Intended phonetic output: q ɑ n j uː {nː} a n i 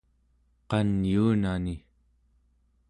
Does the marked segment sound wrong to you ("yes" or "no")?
yes